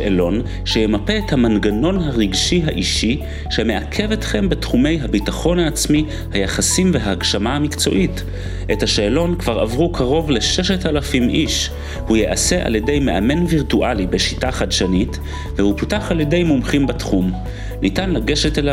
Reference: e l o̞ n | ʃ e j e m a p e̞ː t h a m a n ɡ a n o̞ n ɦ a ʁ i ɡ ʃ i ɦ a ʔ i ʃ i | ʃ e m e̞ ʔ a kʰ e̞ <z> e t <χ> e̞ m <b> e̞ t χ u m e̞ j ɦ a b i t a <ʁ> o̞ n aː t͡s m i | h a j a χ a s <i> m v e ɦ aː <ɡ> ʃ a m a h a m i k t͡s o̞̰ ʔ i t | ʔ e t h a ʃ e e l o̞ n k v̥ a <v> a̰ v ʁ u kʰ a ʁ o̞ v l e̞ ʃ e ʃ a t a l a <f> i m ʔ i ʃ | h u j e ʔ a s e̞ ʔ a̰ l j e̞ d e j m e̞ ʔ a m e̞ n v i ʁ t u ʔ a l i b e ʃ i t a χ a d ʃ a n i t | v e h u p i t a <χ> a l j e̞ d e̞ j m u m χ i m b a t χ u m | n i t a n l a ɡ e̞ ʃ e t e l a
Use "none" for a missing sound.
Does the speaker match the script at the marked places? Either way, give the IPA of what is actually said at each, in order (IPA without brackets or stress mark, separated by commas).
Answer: v, χ, b, χ, i, ɡ, ʁ, f, χ